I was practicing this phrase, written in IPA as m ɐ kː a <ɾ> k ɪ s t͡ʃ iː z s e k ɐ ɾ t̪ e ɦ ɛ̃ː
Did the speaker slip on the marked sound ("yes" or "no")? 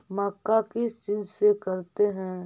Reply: yes